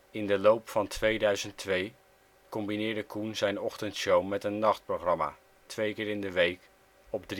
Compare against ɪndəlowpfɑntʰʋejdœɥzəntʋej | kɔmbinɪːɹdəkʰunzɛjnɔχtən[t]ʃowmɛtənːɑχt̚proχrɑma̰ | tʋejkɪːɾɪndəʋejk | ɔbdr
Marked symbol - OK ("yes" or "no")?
yes